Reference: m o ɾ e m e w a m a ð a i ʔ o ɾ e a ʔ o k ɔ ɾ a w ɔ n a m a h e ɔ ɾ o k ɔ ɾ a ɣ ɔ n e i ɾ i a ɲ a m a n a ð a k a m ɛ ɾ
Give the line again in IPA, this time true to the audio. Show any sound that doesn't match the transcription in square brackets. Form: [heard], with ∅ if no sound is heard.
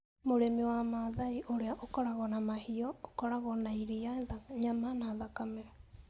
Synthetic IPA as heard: m o ɾ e m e w a m a ð a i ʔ o ɾ e a ʔ o k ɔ ɾ a [ɣ] ɔ n a m a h [i] ɔ [∅] o k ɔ ɾ a ɣ ɔ n [a] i ɾ i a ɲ a m a n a ð a k a m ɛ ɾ